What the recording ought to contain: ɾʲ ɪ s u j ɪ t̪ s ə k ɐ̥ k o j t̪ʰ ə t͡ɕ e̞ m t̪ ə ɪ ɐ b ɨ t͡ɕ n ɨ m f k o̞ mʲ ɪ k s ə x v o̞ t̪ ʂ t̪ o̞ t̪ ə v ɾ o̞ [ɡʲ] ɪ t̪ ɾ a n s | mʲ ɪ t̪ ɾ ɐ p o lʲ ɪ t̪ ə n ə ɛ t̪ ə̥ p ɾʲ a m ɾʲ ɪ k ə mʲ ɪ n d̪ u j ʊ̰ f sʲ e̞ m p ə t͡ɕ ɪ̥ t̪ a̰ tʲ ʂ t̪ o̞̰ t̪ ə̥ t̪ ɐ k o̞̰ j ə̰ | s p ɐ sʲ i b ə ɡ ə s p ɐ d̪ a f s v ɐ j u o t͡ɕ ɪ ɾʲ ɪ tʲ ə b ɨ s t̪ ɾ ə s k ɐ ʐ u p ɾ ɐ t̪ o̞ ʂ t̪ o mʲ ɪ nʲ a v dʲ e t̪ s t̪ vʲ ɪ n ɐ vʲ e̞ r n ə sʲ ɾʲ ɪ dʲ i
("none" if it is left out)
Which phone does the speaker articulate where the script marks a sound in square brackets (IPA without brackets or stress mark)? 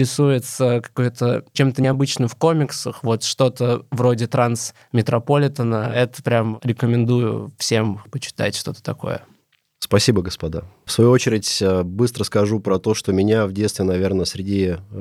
dʲ